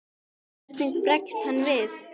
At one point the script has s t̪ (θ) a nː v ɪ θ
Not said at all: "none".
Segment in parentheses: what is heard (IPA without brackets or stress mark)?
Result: h